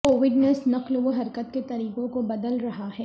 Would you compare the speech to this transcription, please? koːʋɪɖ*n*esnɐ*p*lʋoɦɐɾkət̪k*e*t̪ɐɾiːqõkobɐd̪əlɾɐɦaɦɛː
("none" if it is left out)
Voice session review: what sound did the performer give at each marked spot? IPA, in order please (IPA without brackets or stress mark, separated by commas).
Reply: n, q, e